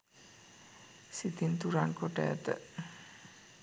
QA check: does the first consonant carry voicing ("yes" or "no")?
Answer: no